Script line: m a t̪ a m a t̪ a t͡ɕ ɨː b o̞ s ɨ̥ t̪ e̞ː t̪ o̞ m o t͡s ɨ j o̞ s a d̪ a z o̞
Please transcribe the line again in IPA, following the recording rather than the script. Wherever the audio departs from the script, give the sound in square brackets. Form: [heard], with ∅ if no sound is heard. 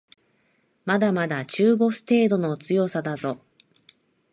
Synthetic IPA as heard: m a [d̪] a m a [d̪] a t͡ɕ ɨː b o̞ s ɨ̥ t̪ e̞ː [d̪] o̞ [n] o t͡s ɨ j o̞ s a d̪ a z o̞